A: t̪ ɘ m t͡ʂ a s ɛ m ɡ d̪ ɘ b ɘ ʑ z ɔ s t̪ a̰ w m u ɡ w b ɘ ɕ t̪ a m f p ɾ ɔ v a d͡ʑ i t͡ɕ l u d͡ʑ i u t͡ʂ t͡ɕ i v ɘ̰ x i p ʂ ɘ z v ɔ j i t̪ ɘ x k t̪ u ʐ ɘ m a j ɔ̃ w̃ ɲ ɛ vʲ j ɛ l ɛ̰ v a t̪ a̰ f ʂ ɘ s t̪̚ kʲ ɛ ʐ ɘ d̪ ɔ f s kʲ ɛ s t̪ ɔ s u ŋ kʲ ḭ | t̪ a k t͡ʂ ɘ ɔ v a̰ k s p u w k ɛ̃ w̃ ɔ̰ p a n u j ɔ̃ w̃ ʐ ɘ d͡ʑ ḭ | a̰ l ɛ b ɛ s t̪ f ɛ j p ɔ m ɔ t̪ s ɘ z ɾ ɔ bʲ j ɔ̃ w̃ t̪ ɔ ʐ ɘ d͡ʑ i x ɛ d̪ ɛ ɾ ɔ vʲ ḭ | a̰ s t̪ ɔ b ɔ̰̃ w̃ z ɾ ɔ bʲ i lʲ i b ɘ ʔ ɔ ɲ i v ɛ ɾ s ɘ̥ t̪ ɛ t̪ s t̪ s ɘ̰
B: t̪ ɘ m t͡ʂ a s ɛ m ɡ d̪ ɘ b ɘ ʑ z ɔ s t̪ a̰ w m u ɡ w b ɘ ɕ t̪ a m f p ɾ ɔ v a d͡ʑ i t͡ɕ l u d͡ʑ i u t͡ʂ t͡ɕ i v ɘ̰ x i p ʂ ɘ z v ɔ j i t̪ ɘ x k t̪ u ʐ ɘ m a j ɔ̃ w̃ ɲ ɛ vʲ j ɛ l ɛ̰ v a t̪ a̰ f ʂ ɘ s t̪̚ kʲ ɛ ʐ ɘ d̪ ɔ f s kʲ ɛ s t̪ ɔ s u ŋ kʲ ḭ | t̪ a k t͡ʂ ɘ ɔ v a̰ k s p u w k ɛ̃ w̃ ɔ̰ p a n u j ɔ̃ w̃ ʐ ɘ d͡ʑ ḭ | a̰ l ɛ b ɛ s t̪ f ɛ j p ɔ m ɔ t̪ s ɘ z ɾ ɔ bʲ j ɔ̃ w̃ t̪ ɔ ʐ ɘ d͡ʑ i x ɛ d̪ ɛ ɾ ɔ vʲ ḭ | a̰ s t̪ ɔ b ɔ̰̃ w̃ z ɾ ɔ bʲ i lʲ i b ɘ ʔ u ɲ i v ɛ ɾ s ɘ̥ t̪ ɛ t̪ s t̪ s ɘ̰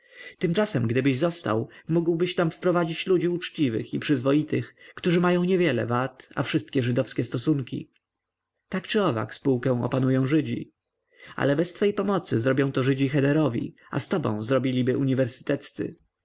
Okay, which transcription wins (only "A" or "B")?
B